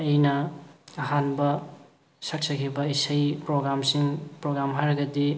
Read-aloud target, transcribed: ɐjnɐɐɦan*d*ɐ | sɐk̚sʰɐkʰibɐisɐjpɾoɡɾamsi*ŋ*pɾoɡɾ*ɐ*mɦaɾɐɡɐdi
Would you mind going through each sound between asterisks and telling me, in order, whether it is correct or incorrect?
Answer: incorrect: b, correct, incorrect: a

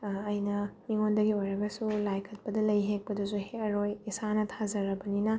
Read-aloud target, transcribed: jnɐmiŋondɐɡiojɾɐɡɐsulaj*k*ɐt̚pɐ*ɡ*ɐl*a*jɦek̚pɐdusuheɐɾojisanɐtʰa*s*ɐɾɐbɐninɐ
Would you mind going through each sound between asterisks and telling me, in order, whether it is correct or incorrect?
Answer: incorrect: kʰ, incorrect: d, incorrect: ɐ, incorrect: z

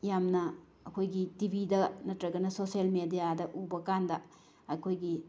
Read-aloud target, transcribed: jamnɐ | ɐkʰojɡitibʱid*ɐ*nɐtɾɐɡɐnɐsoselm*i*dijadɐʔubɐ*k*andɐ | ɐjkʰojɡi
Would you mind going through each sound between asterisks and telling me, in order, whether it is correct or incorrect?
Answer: correct, incorrect: e, correct

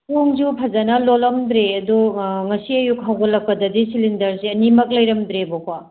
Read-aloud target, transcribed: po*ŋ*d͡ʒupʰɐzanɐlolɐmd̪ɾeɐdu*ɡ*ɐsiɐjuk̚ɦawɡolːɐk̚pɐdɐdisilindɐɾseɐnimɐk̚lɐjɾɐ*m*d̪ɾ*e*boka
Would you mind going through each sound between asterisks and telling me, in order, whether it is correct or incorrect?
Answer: correct, incorrect: ŋ, correct, correct

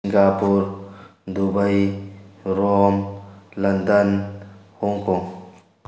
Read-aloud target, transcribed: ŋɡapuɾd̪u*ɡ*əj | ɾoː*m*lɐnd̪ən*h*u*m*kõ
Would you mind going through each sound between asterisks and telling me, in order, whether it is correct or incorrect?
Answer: incorrect: b, correct, correct, incorrect: ŋ

